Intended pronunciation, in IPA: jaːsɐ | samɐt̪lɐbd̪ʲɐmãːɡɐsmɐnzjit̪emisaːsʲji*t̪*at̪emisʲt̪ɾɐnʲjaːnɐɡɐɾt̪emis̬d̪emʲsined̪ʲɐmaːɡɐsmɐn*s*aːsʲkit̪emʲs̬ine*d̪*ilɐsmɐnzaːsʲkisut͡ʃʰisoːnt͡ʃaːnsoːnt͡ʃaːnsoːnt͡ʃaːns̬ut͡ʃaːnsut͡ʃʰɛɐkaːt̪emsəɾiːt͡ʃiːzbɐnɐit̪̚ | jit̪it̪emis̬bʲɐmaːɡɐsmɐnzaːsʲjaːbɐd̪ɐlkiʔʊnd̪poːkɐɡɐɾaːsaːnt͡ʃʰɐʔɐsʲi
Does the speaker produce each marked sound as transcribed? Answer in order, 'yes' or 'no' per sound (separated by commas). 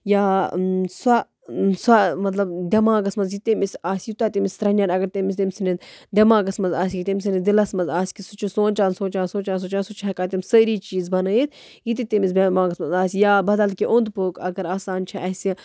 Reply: yes, no, yes